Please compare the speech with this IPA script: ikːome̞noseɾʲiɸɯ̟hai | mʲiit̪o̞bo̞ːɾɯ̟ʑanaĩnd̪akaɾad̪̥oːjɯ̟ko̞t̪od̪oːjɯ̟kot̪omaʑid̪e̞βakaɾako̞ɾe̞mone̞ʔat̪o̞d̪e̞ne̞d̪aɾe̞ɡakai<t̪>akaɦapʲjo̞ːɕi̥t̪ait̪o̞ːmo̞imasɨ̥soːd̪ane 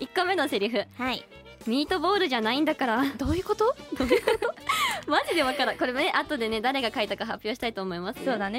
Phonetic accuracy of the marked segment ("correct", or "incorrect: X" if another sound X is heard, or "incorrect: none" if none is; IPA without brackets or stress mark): correct